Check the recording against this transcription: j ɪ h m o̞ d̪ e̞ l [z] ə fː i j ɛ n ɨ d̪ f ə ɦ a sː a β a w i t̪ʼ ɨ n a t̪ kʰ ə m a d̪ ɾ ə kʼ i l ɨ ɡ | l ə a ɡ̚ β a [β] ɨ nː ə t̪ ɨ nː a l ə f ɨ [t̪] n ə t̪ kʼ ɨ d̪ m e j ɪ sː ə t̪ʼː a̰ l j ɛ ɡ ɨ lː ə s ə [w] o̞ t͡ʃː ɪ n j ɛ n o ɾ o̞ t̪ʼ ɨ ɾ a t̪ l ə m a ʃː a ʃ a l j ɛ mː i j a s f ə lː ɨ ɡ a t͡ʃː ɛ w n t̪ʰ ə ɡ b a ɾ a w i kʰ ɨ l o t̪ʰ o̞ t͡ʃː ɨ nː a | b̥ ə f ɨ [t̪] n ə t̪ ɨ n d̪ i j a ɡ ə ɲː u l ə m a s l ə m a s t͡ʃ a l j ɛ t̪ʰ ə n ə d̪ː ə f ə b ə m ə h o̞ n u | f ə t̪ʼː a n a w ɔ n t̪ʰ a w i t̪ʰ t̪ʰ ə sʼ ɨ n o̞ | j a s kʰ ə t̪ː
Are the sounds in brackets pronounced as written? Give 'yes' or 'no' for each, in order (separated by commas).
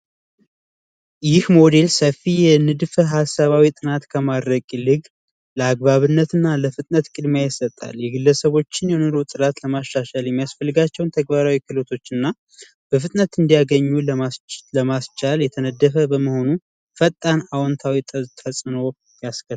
no, yes, no, no, no